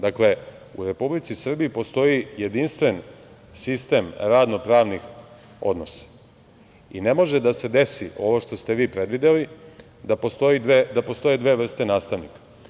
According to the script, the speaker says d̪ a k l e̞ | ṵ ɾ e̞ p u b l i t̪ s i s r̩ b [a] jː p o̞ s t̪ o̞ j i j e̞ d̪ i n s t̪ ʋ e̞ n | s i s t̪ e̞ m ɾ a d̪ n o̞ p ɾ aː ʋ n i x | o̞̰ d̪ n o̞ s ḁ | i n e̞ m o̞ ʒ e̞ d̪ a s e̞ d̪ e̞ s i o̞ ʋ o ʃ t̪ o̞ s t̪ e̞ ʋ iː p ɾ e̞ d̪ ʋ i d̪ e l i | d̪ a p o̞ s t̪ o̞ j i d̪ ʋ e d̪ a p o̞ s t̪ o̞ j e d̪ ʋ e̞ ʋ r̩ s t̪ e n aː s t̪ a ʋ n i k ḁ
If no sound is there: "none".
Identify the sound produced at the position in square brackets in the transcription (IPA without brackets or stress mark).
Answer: i